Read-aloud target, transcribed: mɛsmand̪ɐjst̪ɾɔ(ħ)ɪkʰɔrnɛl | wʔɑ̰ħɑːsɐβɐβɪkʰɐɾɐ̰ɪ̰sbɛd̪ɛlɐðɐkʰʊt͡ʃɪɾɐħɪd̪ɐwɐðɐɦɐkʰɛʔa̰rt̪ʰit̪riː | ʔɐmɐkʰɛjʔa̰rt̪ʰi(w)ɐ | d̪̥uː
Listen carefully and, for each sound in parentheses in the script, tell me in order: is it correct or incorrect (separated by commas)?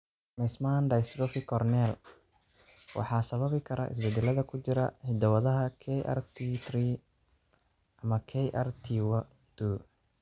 incorrect, correct